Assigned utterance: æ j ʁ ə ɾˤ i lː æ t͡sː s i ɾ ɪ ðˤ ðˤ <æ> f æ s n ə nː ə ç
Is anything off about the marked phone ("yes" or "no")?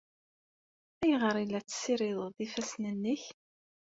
yes